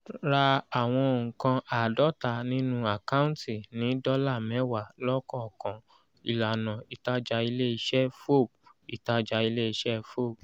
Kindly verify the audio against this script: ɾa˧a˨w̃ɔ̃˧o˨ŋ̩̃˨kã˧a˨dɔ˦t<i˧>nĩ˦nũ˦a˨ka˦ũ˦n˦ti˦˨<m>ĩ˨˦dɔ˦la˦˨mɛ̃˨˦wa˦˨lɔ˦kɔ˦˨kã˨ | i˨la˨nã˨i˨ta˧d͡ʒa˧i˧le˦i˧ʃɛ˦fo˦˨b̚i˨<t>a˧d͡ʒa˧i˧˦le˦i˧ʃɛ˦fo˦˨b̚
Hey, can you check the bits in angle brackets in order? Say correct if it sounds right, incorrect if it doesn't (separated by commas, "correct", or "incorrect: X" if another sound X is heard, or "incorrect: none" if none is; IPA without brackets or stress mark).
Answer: incorrect: a˧, incorrect: n, correct